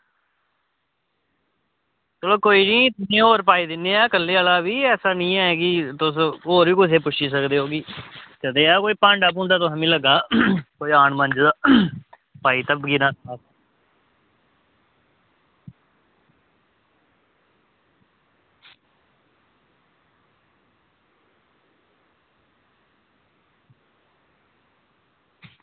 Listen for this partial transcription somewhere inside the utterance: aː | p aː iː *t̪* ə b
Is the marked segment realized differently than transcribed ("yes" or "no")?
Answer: no